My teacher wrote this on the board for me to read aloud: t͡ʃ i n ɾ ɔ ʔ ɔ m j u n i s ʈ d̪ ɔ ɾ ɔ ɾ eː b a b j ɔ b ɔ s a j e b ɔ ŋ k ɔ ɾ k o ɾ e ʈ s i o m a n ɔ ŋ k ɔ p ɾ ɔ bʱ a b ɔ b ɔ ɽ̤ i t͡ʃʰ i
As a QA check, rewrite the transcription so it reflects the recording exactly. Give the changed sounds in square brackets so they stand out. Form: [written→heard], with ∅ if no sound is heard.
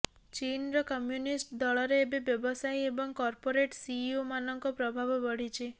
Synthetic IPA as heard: t͡ʃ i n ɾ ɔ [ʔ→k] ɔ m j u n i s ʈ d̪ ɔ [ɾ→ɭ] ɔ ɾ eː b [a→e] b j ɔ b ɔ s a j e b ɔ ŋ k ɔ ɾ [k→p] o ɾ e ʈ s i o m a n ɔ ŋ k ɔ p ɾ ɔ bʱ a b ɔ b ɔ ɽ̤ i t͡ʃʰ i